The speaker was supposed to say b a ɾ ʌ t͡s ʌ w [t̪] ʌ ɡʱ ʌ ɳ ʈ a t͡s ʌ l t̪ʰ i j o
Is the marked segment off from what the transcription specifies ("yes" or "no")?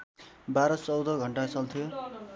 yes